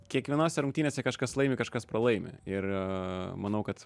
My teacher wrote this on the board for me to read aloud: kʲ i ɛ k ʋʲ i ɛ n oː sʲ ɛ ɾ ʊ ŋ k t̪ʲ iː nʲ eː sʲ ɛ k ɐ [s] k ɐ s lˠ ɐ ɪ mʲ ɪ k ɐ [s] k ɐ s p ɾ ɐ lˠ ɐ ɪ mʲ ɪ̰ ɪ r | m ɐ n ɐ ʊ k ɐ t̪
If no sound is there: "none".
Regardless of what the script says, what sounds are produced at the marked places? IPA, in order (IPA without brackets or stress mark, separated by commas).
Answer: ʃ, ʃ